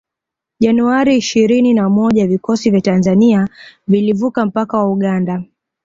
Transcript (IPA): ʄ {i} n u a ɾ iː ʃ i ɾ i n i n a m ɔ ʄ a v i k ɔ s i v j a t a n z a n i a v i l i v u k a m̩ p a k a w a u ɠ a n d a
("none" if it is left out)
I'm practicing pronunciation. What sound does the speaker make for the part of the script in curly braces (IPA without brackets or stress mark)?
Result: a